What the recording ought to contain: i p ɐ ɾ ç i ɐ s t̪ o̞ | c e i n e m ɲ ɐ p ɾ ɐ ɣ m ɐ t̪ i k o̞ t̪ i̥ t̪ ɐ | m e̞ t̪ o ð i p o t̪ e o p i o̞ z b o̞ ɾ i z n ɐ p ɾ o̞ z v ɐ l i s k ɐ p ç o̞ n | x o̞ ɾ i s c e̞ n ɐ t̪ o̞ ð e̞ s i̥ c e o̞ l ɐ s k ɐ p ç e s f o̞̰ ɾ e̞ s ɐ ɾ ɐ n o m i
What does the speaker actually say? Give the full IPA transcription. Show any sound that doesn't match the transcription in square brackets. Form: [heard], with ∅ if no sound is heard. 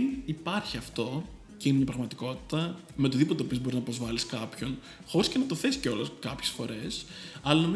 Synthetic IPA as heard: i p ɐ ɾ ç i ɐ [f] t̪ o̞ | c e i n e m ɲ ɐ p ɾ ɐ ɣ m ɐ t̪ i k o̞ t̪ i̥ t̪ ɐ | m e̞ t̪ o ð i p o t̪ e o p i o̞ z b o̞ ɾ i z n ɐ p ɾ o̞ z v ɐ l i s k ɐ p ç o̞ n | x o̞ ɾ i s c e̞ n ɐ t̪ o̞ [θ] e̞ s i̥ c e o̞ l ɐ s k ɐ p ç e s f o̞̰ ɾ e̞ s ɐ [l] ɐ n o m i